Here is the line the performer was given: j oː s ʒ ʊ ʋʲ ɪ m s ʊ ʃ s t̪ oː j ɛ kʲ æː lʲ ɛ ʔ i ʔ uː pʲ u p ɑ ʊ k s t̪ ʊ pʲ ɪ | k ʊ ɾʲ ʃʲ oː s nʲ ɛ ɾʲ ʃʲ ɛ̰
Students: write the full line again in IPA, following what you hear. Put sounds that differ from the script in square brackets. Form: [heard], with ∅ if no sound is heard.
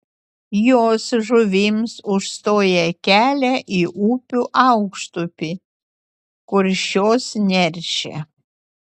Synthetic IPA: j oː s ʒ ʊ ʋʲ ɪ m s ʊ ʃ s t̪ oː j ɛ kʲ æː lʲ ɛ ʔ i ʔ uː pʲ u [ʔ] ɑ ʊ k [ʃ] t̪ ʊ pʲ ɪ | k ʊ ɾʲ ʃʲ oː s nʲ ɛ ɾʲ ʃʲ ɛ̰